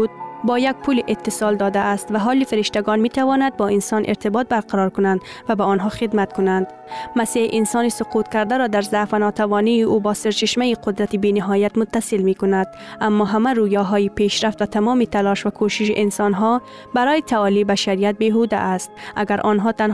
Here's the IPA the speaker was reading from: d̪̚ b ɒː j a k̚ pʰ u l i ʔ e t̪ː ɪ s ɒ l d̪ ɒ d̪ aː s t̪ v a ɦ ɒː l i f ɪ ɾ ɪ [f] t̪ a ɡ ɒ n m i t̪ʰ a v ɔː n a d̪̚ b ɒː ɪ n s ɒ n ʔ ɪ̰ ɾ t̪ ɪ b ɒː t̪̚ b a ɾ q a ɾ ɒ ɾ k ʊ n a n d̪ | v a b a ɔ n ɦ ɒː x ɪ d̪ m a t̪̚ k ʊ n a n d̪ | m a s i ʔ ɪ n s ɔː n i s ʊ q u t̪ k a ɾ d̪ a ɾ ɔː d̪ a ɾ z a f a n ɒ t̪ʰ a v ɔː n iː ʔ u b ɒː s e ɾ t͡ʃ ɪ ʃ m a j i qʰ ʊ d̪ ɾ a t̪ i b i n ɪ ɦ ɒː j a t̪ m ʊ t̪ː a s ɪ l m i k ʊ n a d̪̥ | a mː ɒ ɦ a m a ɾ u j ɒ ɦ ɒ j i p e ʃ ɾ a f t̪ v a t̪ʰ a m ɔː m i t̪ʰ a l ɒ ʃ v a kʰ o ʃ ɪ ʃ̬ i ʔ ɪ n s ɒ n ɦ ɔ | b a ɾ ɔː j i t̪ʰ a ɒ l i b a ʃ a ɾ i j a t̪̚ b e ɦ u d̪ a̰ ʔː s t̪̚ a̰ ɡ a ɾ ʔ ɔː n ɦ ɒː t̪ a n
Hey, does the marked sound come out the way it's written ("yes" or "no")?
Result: no